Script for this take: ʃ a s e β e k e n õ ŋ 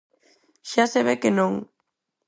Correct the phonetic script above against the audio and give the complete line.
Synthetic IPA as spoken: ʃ a s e β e k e n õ ŋ